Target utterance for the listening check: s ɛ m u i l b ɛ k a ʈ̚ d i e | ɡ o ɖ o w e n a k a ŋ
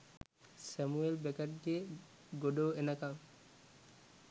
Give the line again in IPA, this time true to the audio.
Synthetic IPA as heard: s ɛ m u e l b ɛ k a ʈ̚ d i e | ɡ o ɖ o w e n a k a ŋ